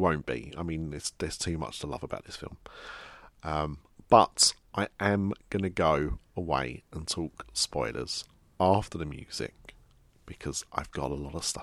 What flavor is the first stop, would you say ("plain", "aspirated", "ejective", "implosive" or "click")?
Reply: plain